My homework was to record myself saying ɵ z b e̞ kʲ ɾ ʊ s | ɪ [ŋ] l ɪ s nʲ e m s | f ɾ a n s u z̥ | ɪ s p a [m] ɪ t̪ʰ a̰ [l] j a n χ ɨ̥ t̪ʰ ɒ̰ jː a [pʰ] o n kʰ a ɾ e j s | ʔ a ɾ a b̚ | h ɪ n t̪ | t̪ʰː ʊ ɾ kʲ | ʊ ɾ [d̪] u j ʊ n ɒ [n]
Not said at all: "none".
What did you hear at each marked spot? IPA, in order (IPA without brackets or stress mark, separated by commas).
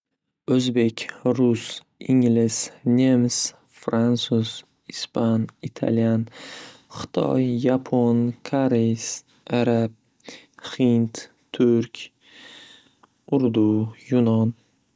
ŋ, n, l, pʰ, d̪, n